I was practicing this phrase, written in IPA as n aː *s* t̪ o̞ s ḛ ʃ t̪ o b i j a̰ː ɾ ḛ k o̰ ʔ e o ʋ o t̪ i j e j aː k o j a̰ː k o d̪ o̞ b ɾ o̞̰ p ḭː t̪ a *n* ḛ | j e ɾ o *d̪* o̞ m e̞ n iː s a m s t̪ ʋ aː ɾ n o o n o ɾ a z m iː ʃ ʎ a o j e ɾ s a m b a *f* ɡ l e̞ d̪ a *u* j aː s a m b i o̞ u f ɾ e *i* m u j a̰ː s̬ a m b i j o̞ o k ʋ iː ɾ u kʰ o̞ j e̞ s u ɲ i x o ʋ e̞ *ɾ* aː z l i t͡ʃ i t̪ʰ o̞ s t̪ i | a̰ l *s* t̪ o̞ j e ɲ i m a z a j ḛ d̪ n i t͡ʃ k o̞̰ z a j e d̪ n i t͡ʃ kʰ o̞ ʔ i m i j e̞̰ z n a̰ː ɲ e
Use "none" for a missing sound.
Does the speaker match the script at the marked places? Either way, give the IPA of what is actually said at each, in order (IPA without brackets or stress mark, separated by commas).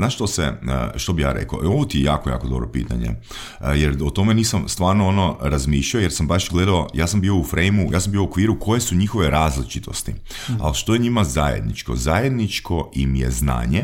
ʃ, ɲ, t̪, ʃ, o, j, ɾ, ʃ